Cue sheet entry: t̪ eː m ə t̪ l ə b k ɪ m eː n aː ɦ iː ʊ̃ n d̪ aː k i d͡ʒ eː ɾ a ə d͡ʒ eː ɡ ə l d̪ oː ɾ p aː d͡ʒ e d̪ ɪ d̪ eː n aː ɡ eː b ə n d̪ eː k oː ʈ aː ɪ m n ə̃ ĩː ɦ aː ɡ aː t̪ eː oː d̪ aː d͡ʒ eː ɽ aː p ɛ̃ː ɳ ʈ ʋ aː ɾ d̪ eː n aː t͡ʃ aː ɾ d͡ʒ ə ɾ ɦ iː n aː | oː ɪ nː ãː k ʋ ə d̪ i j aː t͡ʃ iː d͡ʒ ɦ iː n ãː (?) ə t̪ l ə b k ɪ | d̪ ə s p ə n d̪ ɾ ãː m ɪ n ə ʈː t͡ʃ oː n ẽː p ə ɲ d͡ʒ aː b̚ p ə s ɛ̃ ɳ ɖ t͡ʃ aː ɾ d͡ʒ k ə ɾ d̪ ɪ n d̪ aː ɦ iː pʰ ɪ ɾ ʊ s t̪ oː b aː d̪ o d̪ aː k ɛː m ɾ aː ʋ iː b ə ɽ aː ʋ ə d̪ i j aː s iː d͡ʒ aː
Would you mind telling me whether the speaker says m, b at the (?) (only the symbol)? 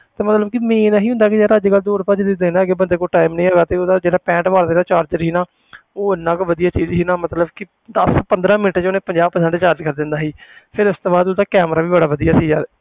m